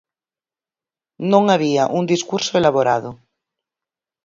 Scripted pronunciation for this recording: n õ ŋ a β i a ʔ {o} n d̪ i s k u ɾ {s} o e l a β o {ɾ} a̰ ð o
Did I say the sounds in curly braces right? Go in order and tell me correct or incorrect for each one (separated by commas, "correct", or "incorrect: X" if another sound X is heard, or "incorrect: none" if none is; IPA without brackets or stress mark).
incorrect: u, correct, correct